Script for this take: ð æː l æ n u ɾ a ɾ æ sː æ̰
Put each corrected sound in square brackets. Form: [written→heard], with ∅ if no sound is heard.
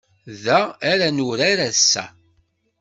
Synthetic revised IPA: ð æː [l→ɾ] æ n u ɾ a ɾ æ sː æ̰